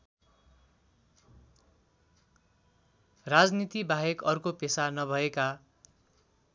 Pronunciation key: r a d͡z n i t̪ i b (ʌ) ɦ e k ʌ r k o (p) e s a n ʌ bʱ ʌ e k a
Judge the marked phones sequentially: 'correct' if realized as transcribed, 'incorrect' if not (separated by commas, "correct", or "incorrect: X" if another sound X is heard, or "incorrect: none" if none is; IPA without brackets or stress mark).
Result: incorrect: a, correct